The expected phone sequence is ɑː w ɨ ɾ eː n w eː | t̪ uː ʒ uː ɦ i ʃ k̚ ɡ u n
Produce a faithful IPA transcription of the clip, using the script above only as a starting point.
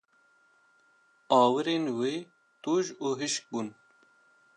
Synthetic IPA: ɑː w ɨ ɾ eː n w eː | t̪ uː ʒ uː ɦ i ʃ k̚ b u n

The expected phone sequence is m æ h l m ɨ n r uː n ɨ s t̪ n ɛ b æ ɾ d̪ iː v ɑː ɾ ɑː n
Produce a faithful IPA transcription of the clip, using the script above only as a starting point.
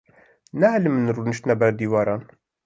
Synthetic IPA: n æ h l m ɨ n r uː n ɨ ʃ t̪ n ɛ b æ ɾ d̪ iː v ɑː ɾ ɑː n

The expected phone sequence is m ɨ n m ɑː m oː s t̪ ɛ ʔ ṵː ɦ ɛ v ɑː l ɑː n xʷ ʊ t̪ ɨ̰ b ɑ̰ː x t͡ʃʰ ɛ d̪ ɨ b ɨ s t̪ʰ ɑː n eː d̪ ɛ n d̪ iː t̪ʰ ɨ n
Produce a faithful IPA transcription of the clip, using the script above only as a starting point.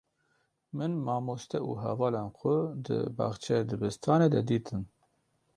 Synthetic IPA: m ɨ n m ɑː m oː s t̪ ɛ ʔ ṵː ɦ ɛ v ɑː l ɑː n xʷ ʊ d̪ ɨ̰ b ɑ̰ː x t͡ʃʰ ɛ d̪ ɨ b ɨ s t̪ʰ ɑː n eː d̪ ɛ d̪ iː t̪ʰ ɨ n

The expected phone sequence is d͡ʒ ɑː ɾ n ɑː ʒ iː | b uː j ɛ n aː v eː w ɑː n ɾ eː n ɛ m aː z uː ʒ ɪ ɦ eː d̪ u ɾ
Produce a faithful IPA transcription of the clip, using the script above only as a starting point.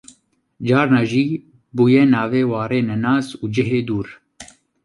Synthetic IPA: d͡ʒ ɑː ɾ n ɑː ʒ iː | b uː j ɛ n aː v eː w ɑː ɾ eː n ɛ n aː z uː d͡ʒ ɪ ɦ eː d̪ uː ɾ

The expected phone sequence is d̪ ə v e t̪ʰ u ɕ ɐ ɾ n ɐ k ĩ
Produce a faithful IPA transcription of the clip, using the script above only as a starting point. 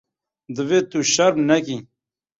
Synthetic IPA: d̪ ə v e t̪ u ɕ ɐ ɾ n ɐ k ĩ

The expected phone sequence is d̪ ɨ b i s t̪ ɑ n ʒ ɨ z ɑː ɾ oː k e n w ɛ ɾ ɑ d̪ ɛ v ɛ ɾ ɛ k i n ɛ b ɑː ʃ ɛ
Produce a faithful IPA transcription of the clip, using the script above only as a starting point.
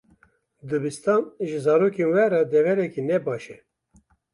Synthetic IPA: d̪ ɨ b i s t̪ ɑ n ʒ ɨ z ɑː ɾ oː k e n w ɛ ɾ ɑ d̪ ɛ v ɛ ɾ ɛ k i n ɛ b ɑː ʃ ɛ

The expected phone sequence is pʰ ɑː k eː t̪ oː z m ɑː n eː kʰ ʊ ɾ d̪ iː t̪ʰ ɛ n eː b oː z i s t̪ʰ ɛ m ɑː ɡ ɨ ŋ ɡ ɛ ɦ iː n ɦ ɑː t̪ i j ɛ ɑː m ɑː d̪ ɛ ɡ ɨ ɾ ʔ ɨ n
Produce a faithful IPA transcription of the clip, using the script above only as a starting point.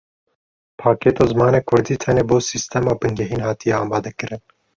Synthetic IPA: pʰ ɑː k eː t̪ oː z m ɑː n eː kʰ ʊ ɾ d̪ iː t̪ʰ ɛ n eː b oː s i s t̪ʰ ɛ m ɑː b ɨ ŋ ɡ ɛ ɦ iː n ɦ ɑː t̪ i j ɛ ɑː m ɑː d̪ ɛ k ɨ ɾ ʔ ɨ n

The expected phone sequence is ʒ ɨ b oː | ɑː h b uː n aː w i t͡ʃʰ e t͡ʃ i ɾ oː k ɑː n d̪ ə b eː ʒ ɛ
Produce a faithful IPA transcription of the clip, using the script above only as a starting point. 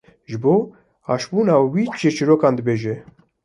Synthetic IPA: ʒ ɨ b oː | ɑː ʃ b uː n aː w i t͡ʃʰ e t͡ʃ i ɾ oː k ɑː n d̪ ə b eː ʒ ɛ

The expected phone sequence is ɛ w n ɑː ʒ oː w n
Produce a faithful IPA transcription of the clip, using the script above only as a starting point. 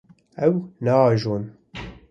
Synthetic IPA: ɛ w n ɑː ʒ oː n

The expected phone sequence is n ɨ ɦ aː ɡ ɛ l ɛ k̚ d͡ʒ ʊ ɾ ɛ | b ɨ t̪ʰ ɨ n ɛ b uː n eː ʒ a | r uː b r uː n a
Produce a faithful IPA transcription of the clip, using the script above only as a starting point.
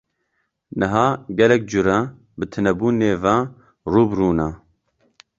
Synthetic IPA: n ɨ ɦ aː ɡ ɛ l ɛ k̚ d͡ʒ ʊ ɾ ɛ | b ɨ t̪ʰ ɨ n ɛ b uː n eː v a | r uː b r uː n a

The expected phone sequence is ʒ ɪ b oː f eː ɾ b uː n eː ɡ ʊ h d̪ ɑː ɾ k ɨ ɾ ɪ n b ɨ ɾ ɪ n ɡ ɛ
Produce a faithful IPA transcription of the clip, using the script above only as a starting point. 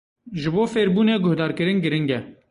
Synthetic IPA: ʒ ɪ b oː f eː ɾ b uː n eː ɡ ʊ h d̪ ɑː ɾ k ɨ ɾ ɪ n ɡ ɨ ɾ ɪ ŋ ɡ ɛ

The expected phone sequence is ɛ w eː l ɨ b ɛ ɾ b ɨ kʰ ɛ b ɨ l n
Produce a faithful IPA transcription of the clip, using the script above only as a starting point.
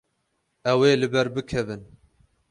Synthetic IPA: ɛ w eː l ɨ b ɛ ɾ b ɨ kʰ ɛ v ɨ n

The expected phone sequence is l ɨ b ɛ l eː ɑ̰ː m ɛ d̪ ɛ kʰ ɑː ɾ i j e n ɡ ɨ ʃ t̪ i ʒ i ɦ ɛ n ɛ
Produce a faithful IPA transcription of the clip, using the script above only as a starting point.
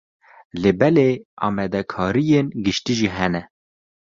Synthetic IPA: l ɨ b ɛ l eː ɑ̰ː m ɛ d̪ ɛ kʰ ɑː ɾ i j e n ɡ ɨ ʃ t̪ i ʒ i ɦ ɛ n ɛ

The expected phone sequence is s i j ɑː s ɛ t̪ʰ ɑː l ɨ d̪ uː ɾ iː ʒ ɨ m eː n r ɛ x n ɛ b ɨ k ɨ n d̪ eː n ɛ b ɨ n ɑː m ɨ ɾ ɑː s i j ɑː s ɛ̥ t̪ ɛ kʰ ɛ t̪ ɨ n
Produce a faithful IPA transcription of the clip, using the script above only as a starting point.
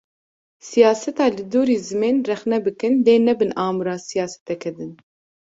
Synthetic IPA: s i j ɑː s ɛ t̪ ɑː l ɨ d̪ uː ɾ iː z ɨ m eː n r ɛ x n ɛ b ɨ k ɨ n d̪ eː n ɛ b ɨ n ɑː m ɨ ɾ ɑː s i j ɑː s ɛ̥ t̪ ɛ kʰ ɛ d̪ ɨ n

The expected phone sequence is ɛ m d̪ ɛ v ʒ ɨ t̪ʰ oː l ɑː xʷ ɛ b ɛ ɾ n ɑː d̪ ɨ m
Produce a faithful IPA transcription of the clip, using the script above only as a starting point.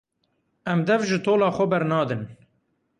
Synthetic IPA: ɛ m d̪ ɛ v ʒ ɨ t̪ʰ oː l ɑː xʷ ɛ b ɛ ɾ n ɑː d̪ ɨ n

